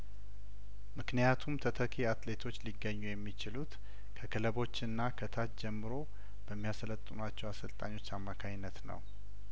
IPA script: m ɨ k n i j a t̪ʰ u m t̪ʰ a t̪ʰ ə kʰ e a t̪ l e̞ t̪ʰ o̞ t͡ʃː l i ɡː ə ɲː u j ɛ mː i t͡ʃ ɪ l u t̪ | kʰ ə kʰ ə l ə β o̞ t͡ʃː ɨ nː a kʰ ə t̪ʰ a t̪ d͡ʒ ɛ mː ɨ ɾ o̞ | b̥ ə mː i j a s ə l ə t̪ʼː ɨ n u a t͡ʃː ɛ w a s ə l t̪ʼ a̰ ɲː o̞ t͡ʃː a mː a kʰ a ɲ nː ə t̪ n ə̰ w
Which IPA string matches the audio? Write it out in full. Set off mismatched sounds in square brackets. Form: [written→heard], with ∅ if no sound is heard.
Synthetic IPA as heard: m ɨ k n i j a t̪ʰ u m t̪ʰ [a→ə] t̪ʰ ə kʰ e a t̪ l e̞ t̪ʰ o̞ t͡ʃː l i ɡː ə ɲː u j ɛ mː i t͡ʃ ɪ l u t̪ | kʰ ə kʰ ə l ə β o̞ t͡ʃː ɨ nː a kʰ ə t̪ʰ a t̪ d͡ʒ ɛ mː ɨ ɾ o̞ | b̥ ə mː i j a s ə l ə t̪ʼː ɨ n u a t͡ʃː ɛ w a s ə l t̪ʼ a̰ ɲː o̞ t͡ʃː a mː a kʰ a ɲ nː ə t̪ n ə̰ w